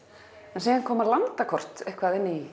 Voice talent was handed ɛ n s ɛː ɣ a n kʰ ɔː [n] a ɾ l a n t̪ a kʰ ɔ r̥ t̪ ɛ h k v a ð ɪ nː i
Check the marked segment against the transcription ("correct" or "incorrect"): incorrect